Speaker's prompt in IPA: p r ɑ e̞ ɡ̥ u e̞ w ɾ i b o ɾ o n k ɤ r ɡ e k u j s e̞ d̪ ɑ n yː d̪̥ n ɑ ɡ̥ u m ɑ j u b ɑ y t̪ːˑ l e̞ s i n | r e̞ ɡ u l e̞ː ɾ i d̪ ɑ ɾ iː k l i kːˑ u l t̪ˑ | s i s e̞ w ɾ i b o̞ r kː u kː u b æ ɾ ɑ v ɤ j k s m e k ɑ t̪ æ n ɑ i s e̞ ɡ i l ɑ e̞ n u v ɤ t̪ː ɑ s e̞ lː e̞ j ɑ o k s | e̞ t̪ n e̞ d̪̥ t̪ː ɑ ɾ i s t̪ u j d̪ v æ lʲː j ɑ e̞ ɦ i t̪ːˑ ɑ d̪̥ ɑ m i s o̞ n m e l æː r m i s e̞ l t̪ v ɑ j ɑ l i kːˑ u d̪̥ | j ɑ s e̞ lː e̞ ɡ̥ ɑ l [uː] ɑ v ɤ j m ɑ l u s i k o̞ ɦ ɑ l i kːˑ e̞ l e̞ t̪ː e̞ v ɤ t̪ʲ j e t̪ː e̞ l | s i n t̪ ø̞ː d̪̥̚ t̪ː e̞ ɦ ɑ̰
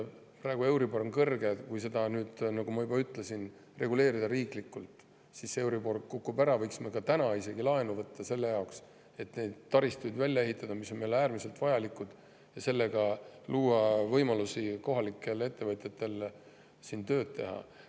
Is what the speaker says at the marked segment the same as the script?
yes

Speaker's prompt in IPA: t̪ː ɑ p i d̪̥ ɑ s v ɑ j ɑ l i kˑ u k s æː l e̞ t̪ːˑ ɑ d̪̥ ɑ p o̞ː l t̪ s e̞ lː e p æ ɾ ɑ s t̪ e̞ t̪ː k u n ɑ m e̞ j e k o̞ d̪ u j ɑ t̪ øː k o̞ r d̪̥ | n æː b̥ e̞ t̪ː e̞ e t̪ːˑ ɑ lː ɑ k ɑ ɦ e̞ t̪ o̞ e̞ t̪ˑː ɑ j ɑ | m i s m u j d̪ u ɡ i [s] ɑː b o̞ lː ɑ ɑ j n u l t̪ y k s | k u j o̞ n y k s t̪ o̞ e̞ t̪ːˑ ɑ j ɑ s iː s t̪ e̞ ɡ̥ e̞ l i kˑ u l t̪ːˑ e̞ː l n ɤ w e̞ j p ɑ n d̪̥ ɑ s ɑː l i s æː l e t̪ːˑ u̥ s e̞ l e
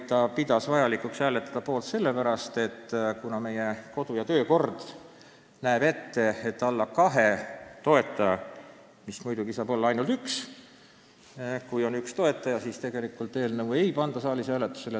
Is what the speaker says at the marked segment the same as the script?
yes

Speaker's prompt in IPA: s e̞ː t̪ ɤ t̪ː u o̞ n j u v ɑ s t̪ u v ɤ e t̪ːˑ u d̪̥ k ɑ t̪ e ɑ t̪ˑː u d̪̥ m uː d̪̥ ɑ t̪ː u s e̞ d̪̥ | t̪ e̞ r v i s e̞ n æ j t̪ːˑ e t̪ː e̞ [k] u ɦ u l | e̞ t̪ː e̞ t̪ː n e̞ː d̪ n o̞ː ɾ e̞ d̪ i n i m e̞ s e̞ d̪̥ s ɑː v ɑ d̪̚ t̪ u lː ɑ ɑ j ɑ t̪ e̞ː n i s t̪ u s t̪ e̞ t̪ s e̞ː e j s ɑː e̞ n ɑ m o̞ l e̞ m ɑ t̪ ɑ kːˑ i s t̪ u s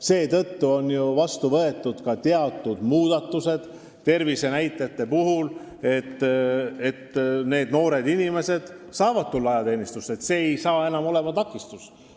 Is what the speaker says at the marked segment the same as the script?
no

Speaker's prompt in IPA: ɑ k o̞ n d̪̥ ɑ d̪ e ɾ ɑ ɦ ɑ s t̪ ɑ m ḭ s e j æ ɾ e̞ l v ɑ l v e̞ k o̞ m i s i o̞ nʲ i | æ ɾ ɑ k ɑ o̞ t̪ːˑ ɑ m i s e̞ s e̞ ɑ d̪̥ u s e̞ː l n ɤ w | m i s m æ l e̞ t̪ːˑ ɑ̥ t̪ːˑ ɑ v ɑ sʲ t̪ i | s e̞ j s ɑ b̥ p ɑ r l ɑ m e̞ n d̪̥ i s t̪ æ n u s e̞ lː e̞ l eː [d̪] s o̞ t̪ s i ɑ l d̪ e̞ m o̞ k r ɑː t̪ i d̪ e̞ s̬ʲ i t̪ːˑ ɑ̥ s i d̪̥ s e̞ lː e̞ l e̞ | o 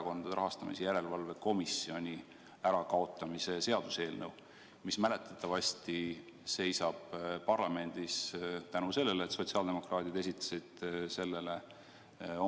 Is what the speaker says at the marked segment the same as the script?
no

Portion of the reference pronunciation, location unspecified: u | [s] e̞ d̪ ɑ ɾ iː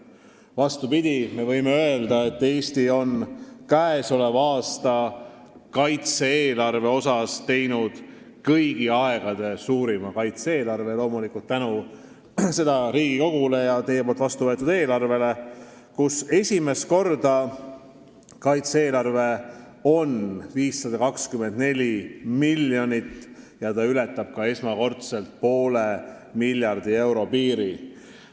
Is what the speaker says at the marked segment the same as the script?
yes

